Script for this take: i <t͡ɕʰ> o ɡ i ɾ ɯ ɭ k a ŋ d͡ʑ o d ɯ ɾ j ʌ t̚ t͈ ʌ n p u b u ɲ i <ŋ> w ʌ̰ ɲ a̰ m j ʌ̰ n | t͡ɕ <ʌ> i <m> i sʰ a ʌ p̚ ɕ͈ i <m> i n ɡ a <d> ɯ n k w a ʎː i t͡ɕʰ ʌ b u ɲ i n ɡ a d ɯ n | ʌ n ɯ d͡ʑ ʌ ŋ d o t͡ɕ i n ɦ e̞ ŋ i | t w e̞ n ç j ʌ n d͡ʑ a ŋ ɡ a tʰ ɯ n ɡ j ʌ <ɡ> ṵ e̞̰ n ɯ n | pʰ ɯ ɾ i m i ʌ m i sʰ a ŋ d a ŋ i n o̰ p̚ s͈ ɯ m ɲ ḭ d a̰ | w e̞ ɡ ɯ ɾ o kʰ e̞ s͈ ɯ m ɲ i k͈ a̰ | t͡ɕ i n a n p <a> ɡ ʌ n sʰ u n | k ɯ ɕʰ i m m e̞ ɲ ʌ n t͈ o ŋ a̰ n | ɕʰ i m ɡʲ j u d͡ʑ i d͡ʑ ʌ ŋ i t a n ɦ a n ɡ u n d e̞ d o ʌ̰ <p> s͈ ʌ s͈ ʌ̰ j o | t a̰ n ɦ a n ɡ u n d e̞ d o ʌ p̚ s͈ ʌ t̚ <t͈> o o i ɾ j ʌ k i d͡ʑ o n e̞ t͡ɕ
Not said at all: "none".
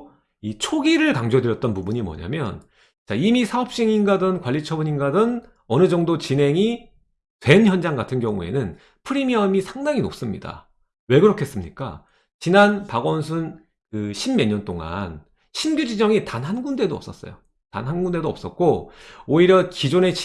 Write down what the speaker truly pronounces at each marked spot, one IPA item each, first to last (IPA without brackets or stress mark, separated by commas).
t͡ɕʰ, m, a, m, ŋ, d, ŋ, a, p, k͈